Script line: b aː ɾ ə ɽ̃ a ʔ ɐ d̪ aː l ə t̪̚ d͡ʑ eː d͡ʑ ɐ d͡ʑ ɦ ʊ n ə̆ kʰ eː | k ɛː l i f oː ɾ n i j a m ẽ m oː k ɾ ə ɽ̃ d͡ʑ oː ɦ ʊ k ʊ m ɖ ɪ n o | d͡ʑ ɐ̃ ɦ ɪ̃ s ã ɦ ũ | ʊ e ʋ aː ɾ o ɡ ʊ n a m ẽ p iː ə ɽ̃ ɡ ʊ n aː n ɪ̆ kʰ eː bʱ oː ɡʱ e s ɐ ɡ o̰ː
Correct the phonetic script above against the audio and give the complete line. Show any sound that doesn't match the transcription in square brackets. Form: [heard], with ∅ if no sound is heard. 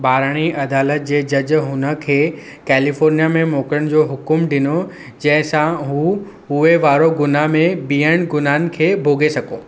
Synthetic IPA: b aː ɾ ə ɽ̃ [i] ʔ ɐ d̪ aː l ə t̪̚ d͡ʑ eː d͡ʑ ɐ d͡ʑ ɦ ʊ n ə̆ kʰ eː | k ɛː l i f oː ɾ n i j a m ẽ m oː k ɾ ə ɽ̃ d͡ʑ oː ɦ ʊ k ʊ m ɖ ɪ n o | d͡ʑ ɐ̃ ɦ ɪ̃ s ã ɦ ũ | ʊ e ʋ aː ɾ o ɡ ʊ n a m ẽ [b] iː ə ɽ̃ ɡ ʊ n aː n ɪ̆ kʰ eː bʱ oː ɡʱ e s ɐ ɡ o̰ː

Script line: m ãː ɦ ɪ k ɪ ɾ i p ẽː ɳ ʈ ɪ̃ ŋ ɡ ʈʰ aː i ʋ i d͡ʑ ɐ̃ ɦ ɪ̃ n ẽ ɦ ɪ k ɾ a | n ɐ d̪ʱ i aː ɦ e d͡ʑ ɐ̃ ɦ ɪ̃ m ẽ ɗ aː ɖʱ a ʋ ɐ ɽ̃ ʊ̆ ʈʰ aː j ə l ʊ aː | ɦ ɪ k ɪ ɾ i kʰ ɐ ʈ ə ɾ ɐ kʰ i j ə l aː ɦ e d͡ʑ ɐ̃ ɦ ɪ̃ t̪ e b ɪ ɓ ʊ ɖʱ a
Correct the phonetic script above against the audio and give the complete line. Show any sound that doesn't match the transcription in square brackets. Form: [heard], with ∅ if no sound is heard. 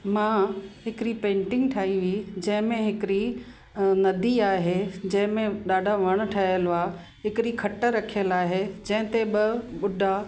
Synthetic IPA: m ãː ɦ ɪ k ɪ ɾ i p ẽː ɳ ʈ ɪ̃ ŋ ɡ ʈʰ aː i ʋ i d͡ʑ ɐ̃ ɦ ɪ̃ [m] ẽ ɦ ɪ k ɾ [i] | n ɐ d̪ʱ i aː ɦ e d͡ʑ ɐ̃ ɦ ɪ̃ m ẽ ɗ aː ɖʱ a ʋ ɐ ɽ̃ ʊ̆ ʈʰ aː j ə l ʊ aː | ɦ ɪ k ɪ ɾ i kʰ ɐ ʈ ə ɾ ɐ kʰ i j ə l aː ɦ e d͡ʑ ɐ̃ ɦ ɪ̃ t̪ e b ɪ ɓ ʊ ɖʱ a

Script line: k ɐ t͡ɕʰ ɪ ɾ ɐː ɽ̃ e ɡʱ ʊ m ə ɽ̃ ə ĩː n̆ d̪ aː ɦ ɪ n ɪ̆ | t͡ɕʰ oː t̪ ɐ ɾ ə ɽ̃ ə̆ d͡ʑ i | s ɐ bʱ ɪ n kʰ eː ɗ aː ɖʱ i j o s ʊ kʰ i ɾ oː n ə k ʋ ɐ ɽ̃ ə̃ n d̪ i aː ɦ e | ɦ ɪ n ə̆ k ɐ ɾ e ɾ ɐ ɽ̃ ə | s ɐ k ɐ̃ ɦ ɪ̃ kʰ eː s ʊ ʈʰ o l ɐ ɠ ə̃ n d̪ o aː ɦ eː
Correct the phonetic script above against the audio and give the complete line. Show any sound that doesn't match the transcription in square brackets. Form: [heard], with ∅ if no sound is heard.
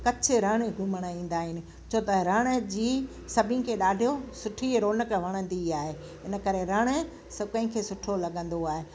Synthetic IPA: k ɐ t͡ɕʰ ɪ ɾ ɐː ɽ̃ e ɡʱ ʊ m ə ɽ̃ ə ĩː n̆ d̪ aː ɦ ɪ n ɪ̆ | t͡ɕʰ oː t̪ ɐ ɾ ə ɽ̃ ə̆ d͡ʑ [iː] | s ɐ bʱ ɪ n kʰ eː ɗ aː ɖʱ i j o s ʊ [ʈʰ] i ɾ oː n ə k ʋ ɐ ɽ̃ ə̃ n d̪ i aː ɦ e | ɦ ɪ n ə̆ k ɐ ɾ e ɾ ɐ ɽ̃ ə | s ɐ k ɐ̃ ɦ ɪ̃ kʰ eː s ʊ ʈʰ o l ɐ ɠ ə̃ n d̪ o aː ɦ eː

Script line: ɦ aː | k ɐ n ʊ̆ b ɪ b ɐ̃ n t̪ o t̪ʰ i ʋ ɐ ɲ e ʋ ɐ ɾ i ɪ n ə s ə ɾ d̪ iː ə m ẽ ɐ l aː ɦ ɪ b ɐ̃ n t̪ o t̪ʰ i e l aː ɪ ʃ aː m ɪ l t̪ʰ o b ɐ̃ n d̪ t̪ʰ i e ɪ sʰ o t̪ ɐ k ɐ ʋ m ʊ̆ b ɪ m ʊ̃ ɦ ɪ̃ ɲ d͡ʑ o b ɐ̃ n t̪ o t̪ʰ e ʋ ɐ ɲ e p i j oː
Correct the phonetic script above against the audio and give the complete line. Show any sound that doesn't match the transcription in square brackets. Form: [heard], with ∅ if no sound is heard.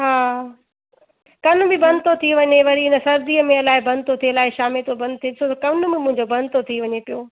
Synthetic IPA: ɦ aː | k ɐ n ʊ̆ b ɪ b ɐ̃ n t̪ o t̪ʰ i ʋ ɐ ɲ e ʋ ɐ ɾ i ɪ n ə s [ɐ] ɾ d̪ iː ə m ẽ ɐ l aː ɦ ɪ b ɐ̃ n t̪ o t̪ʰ i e l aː ɪ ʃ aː m ɪ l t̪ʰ o b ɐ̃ n d̪ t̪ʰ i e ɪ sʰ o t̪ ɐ k ɐ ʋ [n] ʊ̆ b ɪ m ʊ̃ ɦ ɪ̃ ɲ d͡ʑ o b ɐ̃ n t̪ o t̪ʰ [i] ʋ ɐ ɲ e p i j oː

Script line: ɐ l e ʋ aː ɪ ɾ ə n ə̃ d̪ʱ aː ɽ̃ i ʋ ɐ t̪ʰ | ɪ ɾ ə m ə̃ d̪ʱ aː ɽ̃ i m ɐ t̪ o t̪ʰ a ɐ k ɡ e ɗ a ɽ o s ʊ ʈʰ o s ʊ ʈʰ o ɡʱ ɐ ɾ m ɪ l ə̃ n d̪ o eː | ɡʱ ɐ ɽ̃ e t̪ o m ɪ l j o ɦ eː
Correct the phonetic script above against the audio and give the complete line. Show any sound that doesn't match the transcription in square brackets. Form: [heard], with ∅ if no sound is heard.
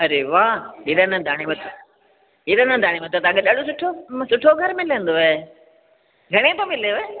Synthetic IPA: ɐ [ɾ] e ʋ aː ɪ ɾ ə n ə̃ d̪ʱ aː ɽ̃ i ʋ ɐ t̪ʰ | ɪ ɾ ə [n] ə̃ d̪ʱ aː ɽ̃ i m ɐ t̪ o [t̪] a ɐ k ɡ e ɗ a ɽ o s ʊ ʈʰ o s ʊ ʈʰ o ɡʱ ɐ ɾ m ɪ l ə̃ n d̪ o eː | ɡʱ ɐ ɽ̃ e t̪ o m ɪ l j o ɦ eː

